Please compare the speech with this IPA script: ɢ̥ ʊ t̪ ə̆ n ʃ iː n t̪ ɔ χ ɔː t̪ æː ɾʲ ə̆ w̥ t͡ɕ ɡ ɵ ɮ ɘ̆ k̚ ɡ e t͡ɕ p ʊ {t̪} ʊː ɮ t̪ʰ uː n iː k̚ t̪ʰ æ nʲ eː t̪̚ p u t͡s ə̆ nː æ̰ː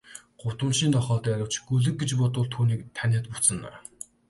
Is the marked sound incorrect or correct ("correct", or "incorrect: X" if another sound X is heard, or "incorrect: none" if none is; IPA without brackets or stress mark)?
correct